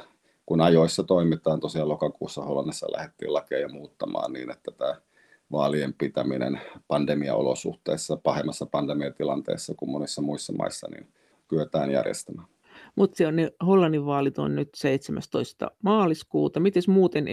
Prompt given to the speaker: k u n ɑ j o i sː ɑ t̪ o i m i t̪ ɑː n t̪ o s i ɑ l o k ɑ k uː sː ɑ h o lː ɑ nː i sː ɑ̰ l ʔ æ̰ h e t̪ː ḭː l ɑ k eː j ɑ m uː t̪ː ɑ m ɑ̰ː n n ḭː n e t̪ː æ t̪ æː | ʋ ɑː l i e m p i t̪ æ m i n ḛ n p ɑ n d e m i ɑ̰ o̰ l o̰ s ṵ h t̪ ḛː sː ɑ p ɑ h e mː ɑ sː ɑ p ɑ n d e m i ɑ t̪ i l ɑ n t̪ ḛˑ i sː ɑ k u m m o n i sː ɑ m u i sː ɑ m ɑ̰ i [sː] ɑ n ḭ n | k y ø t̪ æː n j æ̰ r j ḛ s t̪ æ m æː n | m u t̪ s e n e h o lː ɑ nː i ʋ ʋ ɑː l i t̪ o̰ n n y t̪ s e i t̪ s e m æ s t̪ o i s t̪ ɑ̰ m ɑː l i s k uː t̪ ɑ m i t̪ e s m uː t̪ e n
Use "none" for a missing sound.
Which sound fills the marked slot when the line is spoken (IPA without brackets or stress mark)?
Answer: sː